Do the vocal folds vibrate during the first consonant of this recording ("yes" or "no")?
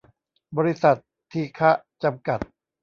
yes